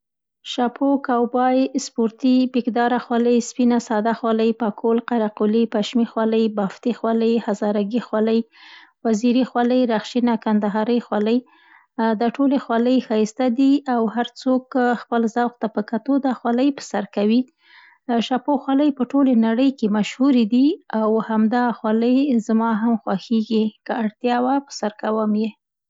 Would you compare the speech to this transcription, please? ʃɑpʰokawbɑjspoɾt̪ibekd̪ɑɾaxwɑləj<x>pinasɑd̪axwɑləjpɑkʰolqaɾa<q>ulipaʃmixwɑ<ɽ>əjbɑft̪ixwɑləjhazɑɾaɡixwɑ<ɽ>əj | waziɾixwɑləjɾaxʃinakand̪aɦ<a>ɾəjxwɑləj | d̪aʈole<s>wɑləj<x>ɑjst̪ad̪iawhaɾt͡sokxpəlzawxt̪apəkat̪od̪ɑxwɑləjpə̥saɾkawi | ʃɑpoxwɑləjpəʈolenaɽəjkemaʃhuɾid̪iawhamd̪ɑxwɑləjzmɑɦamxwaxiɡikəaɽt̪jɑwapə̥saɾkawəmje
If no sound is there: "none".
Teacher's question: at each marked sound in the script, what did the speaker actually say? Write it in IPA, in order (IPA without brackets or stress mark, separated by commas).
s, q, l, l, ɑ, x, x